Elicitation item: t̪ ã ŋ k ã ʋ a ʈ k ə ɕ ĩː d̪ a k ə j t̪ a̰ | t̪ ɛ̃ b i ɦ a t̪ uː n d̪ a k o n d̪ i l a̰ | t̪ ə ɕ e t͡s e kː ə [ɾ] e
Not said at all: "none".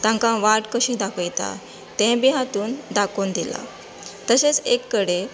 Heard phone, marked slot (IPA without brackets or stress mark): ɽ